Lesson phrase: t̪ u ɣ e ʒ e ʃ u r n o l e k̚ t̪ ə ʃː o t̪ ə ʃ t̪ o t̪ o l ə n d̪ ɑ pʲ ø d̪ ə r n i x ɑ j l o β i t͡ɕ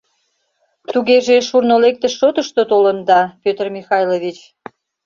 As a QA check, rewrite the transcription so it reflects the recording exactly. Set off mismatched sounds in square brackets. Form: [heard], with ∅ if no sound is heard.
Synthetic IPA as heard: t̪ u ɣ e ʒ e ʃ u r n o l e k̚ t̪ ə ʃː o t̪ ə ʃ t̪ o t̪ o l ə n d̪ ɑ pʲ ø [t̪] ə r [m] i x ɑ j l o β i t͡ɕ